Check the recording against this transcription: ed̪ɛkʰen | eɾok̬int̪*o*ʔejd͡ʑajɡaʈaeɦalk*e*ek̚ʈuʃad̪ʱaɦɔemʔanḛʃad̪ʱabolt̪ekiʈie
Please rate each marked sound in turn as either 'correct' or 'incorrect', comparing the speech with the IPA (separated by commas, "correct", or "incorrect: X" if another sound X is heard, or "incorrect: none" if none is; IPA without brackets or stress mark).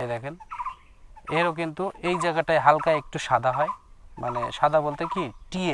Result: incorrect: u, incorrect: a